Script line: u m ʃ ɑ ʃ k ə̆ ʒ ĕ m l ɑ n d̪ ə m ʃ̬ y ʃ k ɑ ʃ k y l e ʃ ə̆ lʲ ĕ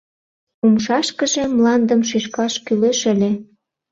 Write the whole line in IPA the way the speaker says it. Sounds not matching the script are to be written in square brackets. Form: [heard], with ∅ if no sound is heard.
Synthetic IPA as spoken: u m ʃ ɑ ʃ k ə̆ ʒ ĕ m l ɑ n d̪ ə m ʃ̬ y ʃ k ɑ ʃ k y l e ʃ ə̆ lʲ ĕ